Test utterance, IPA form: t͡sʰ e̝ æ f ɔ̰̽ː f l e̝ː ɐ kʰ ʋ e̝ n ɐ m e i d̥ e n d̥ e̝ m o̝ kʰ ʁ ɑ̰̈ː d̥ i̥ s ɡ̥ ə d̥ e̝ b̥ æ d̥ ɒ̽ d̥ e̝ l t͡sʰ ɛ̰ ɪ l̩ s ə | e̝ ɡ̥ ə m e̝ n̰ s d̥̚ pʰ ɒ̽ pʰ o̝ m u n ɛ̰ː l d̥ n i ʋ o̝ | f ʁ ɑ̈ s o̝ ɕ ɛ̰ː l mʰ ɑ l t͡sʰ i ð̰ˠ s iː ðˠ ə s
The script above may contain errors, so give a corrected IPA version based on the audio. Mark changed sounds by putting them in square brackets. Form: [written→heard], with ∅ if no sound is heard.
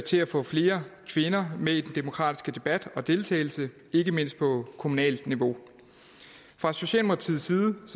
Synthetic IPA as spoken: t͡sʰ e̝ æ f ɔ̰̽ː f l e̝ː ɐ kʰ ʋ e̝ n ɐ m e i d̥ e n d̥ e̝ m o̝ kʰ ʁ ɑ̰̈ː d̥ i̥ s ɡ̥ ə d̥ e̝ b̥ æ d̥ ɒ̽ d̥ e̝ l t͡sʰ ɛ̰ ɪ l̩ s ə | e̝ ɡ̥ ə m e̝ n̰ s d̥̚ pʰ ɒ̽ [pʰ→kʰ] o̝ m u n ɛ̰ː l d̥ n i ʋ o̝ | f ʁ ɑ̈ s o̝ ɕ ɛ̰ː l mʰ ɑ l t͡sʰ i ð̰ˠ s iː ðˠ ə s